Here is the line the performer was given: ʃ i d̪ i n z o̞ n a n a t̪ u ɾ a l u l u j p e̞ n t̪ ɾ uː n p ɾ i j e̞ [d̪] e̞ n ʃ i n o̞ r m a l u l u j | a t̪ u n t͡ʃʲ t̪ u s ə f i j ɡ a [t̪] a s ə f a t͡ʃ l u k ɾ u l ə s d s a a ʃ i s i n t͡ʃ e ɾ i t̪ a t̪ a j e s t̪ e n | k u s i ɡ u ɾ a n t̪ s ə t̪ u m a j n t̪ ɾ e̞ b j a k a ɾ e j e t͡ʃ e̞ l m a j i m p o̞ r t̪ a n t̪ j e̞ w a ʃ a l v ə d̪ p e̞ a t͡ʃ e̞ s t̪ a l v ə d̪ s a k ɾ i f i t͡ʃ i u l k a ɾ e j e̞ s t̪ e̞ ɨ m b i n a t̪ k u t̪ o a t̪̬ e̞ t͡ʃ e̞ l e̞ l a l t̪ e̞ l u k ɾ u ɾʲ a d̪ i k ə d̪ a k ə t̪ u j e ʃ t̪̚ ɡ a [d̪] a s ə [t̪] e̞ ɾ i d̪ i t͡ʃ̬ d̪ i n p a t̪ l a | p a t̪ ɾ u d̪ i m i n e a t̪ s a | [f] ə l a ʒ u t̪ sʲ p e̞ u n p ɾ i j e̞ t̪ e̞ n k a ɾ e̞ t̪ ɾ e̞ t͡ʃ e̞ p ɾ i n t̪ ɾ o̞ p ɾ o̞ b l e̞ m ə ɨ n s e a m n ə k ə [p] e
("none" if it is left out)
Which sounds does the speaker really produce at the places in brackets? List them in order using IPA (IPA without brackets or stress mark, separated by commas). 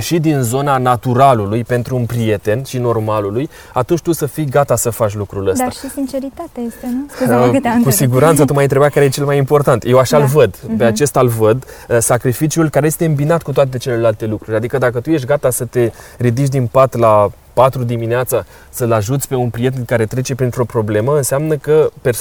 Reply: t̪, t̪, t̪, t̪, s, p